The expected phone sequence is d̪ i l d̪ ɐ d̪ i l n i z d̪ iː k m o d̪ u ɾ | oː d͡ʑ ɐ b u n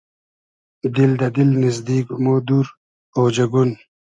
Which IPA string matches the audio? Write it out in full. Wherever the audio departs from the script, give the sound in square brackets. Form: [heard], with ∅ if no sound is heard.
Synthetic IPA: d̪ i l d̪ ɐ d̪ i l n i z d̪ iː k m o d̪ u ɾ | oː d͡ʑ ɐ [ɡ] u n